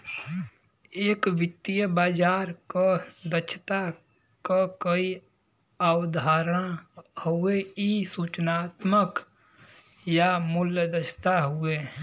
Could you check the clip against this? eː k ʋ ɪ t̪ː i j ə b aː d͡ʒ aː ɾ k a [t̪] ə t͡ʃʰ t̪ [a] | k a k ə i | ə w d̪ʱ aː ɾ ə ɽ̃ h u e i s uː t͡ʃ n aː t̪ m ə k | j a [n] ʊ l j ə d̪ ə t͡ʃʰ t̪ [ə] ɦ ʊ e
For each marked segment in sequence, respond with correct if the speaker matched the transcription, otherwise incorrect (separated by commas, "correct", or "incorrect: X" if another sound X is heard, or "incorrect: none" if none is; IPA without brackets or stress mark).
incorrect: d̪, correct, incorrect: m, incorrect: a